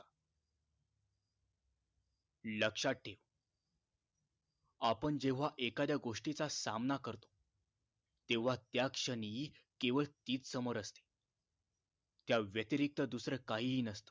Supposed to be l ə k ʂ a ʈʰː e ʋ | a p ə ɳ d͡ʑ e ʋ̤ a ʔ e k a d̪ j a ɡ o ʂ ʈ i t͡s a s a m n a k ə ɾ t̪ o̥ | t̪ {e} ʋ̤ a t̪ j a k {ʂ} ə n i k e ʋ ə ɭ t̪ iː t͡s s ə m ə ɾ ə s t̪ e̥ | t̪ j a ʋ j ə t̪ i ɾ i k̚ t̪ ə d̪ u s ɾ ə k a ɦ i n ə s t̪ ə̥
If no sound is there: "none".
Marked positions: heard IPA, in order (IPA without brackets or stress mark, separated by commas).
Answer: e, ʂ